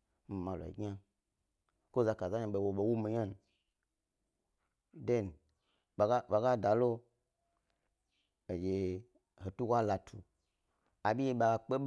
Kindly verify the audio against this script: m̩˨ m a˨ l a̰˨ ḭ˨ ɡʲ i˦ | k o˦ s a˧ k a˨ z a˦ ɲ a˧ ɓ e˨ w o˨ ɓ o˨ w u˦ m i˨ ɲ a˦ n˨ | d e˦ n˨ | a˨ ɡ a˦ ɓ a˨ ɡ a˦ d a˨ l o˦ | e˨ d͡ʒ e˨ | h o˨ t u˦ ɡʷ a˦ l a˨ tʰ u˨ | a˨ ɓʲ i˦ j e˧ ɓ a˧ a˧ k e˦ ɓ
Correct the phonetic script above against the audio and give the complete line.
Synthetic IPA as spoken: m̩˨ m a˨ l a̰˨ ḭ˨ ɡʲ a˦ | k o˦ z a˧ k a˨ z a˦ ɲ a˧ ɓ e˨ w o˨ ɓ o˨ w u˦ m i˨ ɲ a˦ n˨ | d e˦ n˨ | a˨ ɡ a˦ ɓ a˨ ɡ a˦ d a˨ l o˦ | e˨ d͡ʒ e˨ | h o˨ t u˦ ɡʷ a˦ l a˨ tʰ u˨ | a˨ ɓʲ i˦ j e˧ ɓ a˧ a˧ k͡p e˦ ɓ